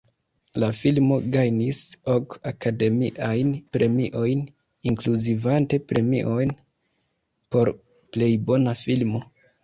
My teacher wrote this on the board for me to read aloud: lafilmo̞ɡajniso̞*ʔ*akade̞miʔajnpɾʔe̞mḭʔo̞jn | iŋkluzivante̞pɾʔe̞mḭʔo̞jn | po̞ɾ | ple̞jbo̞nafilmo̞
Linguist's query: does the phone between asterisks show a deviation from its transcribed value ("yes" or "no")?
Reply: yes